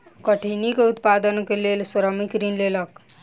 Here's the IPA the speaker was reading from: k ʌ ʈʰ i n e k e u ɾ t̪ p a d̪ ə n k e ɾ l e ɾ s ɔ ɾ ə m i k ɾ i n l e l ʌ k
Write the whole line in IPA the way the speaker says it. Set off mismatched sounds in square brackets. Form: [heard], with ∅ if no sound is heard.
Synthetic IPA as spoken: k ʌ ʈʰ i n [i] k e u [∅] t̪ p a d̪ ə n k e [∅] l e [l] s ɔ ɾ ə m i k ɾ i n l e l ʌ k